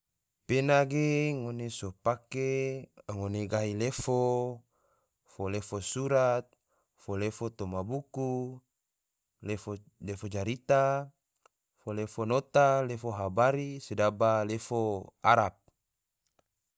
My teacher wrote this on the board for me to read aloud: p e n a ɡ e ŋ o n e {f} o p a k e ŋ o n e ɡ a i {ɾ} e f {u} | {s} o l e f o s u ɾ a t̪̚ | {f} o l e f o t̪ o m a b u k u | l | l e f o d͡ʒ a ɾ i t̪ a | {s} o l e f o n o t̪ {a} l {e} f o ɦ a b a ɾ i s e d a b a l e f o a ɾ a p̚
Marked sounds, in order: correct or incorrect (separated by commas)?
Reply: incorrect, incorrect, incorrect, incorrect, correct, incorrect, correct, correct